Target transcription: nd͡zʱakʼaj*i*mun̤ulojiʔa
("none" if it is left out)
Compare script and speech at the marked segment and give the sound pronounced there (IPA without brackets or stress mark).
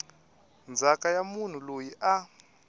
a